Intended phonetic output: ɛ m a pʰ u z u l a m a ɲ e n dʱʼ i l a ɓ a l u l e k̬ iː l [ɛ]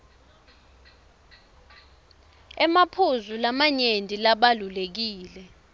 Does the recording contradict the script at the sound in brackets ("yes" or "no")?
no